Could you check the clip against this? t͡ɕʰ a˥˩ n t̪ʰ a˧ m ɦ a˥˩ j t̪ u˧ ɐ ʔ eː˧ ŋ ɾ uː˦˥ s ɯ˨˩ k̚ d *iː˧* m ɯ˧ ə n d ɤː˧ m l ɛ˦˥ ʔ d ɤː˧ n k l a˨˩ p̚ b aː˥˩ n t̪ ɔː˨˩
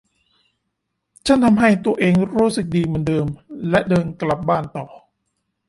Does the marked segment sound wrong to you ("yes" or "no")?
no